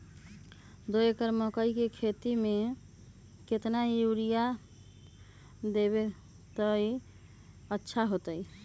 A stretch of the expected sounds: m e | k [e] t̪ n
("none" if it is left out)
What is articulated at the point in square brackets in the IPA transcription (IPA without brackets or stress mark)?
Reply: e